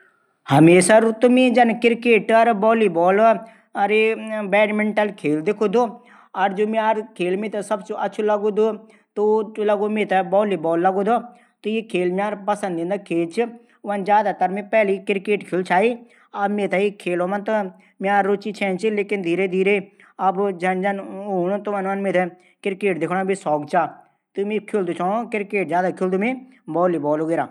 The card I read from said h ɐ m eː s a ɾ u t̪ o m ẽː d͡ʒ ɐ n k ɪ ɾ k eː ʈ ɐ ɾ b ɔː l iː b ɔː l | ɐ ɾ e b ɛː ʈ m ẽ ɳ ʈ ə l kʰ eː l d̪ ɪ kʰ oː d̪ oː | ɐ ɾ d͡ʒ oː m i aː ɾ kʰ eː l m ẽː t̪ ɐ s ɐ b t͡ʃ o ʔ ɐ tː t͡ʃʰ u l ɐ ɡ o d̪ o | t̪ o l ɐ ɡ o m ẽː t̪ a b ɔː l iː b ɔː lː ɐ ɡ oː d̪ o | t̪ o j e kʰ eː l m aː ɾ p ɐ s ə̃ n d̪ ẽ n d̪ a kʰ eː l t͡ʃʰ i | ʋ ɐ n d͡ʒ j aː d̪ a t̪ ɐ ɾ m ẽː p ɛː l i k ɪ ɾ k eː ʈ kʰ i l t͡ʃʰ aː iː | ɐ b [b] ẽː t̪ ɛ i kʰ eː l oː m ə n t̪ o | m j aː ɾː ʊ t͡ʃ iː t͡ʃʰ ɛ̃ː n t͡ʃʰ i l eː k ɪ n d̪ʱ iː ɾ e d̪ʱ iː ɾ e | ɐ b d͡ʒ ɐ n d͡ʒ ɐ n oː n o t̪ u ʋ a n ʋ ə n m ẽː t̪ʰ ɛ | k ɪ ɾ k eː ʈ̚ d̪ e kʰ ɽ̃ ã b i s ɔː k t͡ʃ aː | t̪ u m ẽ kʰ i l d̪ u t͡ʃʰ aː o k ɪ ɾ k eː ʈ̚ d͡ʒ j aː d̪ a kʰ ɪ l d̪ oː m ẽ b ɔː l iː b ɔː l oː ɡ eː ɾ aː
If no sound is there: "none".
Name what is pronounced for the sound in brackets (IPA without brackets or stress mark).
m